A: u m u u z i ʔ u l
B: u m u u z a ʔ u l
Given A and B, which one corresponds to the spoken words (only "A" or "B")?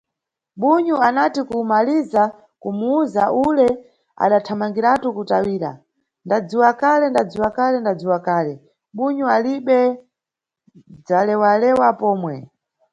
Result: B